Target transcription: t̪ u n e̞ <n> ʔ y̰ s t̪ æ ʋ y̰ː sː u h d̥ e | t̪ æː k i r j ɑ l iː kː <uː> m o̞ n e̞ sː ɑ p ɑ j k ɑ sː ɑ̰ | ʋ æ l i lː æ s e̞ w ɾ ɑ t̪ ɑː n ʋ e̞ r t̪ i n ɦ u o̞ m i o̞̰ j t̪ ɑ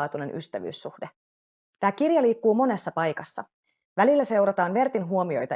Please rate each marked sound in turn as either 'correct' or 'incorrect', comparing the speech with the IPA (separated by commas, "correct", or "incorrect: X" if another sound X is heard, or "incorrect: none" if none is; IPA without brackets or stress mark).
correct, correct